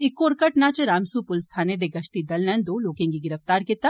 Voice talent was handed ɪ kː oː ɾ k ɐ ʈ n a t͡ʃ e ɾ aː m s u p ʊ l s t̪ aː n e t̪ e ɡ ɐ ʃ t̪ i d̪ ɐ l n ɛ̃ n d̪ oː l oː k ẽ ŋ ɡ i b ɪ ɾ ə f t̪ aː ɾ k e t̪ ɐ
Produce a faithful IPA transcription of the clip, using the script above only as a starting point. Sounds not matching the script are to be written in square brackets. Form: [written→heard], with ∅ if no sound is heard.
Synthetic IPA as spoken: ɪ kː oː ɾ k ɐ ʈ n a t͡ʃ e ɾ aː m s u p ʊ l s [t̪→t̪ʰ] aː n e [t̪→d̪] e ɡ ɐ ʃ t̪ i d̪ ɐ l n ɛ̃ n d̪ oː l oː k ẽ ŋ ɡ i [b→ɡ] ɪ ɾ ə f t̪ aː ɾ k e t̪ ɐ